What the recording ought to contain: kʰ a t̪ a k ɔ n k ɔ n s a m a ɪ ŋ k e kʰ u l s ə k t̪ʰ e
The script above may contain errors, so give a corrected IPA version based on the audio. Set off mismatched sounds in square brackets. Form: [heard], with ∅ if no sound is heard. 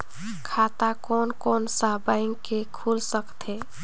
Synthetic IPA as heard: kʰ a t̪ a k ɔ n k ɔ n s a [b] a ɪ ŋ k e kʰ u l s ə k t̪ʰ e

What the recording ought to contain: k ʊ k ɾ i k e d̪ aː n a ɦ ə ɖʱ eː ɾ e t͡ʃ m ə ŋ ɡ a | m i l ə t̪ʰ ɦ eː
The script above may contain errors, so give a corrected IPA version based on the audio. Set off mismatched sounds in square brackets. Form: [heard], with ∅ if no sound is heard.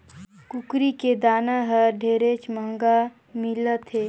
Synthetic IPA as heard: k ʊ k ɾ i k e d̪ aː n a ɦ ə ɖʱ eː ɾ e t͡ʃ m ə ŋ ɡ a | m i l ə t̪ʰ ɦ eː

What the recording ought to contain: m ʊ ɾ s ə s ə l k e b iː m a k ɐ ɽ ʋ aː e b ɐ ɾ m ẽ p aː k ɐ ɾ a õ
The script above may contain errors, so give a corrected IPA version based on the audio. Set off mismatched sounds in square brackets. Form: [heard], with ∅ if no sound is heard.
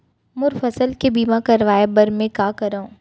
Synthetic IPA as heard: m ʊ ɾ [f] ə s ə l k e b iː m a k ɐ [ɾ] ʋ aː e b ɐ ɾ m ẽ [k] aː k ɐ ɾ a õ

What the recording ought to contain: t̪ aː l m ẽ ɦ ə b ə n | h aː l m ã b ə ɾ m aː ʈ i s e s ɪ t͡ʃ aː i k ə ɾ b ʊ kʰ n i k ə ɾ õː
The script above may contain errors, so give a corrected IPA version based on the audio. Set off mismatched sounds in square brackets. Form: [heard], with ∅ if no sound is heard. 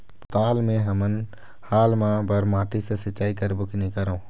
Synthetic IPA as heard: t̪ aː l m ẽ ɦ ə [m] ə n | h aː l m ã b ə ɾ m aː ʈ i s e s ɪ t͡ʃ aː i k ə ɾ b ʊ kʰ n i k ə ɾ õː

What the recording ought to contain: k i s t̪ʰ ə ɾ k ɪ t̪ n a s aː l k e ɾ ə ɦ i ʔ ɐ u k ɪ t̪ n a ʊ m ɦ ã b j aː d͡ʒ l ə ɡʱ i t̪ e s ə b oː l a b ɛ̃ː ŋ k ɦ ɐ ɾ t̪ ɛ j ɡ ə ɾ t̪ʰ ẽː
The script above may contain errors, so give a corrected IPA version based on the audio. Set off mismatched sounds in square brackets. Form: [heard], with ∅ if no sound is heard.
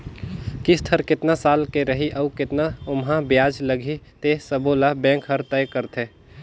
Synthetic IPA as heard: k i s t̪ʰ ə ɾ k ɪ t̪ n a s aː l k e ɾ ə ɦ i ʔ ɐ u k ɪ t̪ n a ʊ m ɦ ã b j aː d͡ʒ l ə ɡʱ i t̪ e s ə b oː l a b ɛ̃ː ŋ k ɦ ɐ ɾ t̪ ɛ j [k] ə ɾ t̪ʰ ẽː

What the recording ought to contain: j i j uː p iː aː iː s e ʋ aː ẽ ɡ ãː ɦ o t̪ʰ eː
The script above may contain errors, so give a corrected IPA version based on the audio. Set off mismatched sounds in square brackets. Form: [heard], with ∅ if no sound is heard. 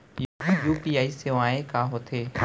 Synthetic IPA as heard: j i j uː p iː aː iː s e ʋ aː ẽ [k] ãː ɦ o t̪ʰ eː

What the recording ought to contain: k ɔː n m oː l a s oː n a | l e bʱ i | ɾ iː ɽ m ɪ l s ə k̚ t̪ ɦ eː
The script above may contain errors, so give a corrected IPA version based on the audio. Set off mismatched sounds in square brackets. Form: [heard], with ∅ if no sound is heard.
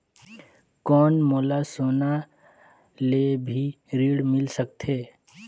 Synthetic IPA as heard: k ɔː n m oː l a s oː n a | l e bʱ i | ɾ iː ɽ m ɪ l s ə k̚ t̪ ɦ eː

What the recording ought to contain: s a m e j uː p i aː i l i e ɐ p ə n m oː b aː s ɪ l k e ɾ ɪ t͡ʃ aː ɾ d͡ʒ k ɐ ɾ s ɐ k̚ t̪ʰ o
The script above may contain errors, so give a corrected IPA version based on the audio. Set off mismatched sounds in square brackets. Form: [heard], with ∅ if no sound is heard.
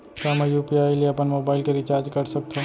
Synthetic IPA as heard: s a m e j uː p i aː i l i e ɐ p ə n m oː b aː [∅] ɪ l k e ɾ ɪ t͡ʃ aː ɾ d͡ʒ k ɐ ɾ s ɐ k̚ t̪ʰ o

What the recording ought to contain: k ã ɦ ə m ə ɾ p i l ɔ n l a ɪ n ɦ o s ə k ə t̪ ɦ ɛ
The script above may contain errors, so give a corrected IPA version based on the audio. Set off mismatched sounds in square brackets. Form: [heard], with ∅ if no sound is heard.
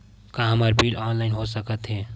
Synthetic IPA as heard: k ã ɦ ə m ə ɾ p i l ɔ n l a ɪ n ɦ o s ə k ə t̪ ɦ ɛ

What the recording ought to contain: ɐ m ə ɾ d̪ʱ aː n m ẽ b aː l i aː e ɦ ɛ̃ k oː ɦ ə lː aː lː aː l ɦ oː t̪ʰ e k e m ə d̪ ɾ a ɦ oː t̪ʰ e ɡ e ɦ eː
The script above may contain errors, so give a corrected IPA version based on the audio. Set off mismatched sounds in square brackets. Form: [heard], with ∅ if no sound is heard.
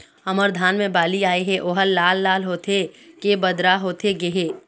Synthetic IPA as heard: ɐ m ə ɾ d̪ʱ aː n m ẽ b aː l i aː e ɦ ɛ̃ [ʔ] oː ɦ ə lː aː lː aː l ɦ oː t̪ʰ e k e [b] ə d̪ ɾ a ɦ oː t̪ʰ e ɡ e ɦ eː

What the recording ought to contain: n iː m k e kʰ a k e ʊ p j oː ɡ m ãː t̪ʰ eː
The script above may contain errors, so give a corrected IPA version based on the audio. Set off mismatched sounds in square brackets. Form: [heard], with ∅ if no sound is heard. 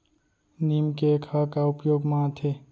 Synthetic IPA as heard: n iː m k e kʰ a k [a] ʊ p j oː ɡ m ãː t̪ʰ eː

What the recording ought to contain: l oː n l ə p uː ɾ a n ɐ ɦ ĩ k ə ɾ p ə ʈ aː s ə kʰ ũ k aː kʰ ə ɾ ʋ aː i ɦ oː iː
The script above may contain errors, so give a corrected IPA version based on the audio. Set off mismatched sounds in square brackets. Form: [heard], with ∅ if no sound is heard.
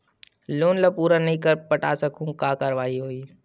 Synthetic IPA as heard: l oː n l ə p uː ɾ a n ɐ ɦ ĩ k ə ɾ p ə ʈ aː s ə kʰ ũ k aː [k] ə ɾ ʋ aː i ɦ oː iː

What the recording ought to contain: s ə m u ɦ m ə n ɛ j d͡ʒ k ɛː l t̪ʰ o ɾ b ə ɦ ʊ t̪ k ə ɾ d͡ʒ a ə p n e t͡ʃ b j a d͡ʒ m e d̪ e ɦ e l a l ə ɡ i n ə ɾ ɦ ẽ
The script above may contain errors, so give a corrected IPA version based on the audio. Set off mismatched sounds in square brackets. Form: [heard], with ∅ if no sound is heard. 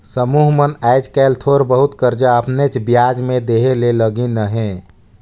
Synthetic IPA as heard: s ə m u ɦ m ə n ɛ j d͡ʒ k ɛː l t̪ʰ o ɾ b ə ɦ [u] t̪ k ə ɾ d͡ʒ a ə p n e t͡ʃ b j a d͡ʒ m e d̪ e ɦ e l [e] l ə ɡ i n ə [∅] ɦ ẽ

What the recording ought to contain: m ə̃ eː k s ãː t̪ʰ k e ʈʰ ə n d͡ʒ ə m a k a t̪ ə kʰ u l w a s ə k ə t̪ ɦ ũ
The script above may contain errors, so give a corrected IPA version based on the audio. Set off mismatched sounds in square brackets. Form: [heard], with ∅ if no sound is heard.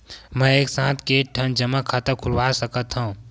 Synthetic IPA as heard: m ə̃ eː k s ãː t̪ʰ k e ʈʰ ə n d͡ʒ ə m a [kʰ] a t̪ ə kʰ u l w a s ə k ə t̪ ɦ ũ

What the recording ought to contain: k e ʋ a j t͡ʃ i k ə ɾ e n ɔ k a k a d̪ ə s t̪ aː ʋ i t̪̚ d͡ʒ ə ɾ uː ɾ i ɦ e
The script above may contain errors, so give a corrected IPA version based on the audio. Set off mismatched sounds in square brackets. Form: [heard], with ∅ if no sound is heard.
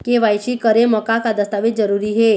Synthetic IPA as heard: k e ʋ a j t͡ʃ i k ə ɾ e [m] ɔ k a k a d̪ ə s t̪ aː ʋ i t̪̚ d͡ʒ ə ɾ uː ɾ i ɦ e

